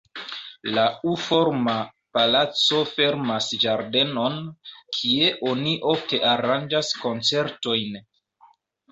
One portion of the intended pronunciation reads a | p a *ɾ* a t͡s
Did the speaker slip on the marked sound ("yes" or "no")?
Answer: yes